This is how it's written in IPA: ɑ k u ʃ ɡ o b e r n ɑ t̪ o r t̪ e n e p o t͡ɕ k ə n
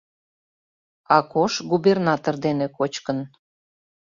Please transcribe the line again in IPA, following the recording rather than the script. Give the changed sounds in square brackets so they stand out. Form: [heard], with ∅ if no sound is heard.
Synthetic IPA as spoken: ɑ k [o] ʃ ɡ [u] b e r n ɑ t̪ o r [d̪] e n e [k] o t͡ɕ k ə n